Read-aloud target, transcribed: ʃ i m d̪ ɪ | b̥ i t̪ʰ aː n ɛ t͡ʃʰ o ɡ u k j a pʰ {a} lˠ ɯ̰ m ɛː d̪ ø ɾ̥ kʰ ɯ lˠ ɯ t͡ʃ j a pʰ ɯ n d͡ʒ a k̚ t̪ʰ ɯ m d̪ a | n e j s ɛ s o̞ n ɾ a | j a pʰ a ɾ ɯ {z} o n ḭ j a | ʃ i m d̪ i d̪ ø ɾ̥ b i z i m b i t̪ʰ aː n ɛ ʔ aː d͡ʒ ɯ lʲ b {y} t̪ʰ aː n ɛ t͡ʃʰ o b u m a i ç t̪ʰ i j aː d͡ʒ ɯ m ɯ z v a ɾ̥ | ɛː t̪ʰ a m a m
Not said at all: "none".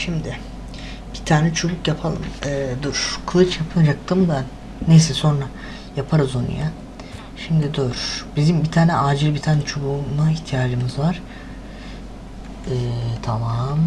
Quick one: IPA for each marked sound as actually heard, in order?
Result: a, z, i

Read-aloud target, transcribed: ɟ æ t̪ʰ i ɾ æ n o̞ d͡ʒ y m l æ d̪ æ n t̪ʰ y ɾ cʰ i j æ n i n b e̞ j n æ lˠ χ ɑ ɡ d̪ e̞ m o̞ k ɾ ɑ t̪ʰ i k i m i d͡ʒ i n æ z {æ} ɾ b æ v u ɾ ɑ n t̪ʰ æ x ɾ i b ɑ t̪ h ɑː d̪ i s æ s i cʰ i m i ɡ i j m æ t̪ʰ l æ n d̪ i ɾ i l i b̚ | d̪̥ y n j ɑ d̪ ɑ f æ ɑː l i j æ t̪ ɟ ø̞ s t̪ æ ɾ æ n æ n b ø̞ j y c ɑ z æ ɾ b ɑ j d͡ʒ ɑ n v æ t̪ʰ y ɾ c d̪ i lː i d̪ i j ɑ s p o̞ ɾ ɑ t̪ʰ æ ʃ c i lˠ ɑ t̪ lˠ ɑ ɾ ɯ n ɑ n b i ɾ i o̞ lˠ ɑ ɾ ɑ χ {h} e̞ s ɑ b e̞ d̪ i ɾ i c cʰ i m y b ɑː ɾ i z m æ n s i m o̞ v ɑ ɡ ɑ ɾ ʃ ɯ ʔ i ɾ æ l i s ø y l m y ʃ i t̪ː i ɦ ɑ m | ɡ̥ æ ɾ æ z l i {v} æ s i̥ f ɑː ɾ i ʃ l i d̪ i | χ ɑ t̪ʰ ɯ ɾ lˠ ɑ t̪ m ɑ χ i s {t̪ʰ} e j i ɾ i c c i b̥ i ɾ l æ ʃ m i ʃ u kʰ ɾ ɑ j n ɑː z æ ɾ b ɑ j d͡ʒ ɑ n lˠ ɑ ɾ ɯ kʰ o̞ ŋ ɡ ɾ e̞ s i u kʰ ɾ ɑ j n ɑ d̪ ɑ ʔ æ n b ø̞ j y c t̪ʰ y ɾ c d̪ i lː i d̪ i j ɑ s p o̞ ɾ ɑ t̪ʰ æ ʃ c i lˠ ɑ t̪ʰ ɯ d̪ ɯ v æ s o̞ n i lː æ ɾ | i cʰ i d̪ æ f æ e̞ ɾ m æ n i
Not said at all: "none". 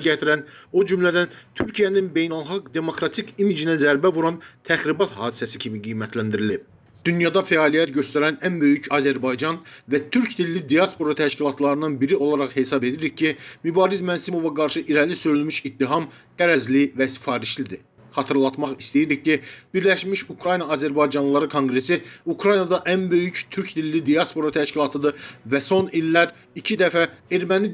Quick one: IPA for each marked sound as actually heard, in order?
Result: æ, h, v, t̪

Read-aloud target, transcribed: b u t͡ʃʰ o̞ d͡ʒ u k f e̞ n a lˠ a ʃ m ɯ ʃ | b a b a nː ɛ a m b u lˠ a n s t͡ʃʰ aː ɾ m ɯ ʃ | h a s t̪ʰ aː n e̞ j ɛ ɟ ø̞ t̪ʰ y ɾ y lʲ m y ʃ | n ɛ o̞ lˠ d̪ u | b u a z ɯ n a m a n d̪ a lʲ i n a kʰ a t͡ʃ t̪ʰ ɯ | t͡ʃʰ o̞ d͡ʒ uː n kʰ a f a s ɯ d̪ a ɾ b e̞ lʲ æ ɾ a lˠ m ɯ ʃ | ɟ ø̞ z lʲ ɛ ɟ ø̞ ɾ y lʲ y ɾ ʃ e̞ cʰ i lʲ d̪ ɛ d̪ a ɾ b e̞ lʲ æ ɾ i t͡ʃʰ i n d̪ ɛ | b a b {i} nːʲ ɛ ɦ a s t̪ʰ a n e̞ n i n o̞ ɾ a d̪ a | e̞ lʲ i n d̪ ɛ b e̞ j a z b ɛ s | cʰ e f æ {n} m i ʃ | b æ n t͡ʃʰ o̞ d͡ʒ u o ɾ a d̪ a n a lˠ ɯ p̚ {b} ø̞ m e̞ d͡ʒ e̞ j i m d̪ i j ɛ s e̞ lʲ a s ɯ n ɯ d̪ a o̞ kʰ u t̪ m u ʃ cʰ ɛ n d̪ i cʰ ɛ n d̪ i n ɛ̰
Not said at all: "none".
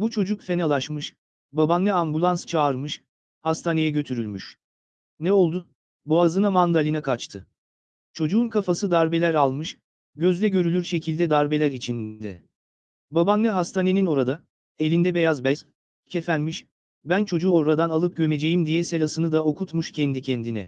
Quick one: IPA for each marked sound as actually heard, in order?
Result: a, n, ɟ

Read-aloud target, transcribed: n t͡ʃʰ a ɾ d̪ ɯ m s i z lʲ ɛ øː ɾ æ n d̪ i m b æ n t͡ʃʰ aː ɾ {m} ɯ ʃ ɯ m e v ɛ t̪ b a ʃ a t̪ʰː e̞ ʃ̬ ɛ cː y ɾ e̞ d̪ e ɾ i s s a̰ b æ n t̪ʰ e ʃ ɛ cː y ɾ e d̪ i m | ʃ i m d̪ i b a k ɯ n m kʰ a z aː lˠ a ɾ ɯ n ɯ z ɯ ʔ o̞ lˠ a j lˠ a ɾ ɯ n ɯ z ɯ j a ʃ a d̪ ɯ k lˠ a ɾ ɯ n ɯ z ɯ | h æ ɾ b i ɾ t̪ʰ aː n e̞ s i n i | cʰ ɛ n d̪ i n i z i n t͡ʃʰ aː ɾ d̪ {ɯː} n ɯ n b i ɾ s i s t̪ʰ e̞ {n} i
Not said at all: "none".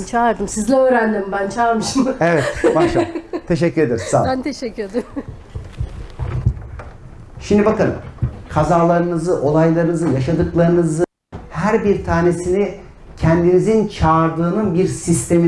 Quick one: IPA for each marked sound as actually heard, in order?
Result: m, ɯː, m

